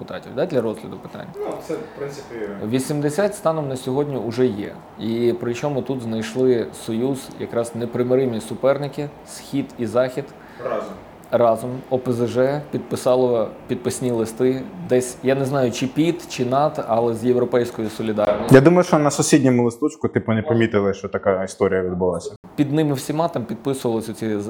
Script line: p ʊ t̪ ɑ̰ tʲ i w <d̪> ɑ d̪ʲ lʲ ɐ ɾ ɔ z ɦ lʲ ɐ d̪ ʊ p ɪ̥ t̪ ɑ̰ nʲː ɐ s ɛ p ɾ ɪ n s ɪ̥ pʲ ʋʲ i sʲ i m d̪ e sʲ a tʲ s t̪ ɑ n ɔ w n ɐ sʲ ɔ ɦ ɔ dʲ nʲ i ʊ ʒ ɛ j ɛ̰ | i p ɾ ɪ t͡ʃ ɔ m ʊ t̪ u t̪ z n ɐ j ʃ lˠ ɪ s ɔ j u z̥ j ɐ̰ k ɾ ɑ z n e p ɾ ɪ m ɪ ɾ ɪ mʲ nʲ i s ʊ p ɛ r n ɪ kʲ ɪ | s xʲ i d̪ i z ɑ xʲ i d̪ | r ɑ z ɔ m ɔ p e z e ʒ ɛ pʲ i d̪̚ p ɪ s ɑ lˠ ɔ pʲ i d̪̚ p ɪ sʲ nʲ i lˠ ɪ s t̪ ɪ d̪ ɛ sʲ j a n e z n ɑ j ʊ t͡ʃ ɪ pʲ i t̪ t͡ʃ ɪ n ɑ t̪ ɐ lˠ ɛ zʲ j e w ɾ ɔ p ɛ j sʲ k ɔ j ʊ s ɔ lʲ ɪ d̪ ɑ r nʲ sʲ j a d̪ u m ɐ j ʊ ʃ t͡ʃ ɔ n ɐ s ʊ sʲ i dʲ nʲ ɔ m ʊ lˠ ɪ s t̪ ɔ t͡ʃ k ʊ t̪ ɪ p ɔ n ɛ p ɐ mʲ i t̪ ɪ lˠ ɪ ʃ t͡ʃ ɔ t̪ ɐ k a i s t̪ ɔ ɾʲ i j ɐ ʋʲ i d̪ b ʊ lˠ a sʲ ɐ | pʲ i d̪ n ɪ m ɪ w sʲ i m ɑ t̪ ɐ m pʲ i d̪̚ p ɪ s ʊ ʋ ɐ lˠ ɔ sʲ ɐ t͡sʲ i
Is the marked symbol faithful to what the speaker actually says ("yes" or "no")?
yes